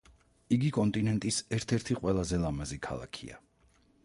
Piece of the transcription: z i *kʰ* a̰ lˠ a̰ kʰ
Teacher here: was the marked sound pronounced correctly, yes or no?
yes